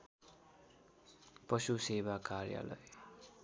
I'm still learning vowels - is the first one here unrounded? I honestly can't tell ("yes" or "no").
yes